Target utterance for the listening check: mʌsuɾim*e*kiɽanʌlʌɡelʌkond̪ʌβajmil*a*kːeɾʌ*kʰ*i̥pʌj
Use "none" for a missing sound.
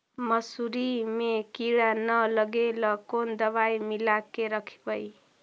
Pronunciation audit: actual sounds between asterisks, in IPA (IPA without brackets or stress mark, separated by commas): e, a, kʰ